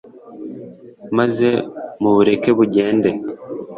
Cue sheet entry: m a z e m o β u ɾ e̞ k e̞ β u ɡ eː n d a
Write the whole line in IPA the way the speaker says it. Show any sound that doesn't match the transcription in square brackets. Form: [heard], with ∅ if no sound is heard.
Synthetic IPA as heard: m a z e m [u] β u ɾ e̞ k e̞ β u [ɟ] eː n d [e]